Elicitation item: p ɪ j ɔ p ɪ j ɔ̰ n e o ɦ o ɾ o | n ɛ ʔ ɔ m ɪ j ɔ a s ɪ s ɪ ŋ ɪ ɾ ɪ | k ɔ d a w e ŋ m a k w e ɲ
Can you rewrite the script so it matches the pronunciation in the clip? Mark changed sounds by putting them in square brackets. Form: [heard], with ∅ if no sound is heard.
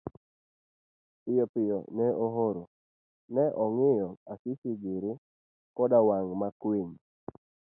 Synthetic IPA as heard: p ɪ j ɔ p ɪ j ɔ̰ n [ɛ] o ɦ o ɾ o | n ɛ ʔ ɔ [ŋ] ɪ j ɔ a s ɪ s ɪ [ɡ] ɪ ɾ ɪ | k ɔ d a w [a] ŋ m a k w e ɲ